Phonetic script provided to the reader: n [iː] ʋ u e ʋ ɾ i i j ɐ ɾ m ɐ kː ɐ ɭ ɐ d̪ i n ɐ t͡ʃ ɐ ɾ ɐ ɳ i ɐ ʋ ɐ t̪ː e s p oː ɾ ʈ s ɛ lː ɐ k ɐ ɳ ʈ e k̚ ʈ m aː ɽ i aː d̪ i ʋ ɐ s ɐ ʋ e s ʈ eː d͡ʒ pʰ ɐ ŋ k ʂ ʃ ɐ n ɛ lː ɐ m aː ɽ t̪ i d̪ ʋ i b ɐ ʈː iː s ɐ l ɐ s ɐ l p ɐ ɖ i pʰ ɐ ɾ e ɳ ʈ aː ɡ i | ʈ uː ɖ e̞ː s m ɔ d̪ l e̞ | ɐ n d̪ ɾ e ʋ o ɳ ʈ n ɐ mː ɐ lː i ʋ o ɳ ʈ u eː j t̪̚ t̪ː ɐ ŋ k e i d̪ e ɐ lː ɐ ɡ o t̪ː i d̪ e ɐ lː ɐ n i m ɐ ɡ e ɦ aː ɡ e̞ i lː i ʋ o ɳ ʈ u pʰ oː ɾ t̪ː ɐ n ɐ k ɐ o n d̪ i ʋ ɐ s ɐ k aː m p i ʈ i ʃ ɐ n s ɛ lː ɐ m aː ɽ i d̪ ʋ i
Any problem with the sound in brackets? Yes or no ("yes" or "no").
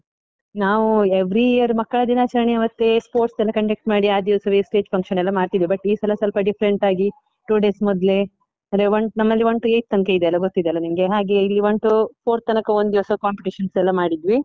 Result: yes